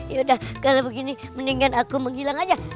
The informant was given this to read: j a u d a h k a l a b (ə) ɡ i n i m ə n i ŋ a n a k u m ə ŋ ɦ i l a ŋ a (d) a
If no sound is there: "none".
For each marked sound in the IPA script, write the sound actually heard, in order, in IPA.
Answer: ə, d͡ʒ

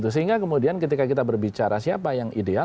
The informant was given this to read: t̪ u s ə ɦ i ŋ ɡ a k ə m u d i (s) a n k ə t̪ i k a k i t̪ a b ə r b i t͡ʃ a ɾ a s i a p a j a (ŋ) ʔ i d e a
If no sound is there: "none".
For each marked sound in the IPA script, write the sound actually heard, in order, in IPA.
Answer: none, ŋ

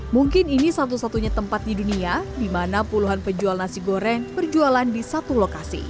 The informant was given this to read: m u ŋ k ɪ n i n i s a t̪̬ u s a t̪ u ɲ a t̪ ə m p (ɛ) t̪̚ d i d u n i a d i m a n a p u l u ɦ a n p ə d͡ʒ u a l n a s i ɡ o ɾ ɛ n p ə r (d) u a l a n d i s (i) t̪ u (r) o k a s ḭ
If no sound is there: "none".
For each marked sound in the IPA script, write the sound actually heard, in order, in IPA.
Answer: a, d͡ʒ, a, l

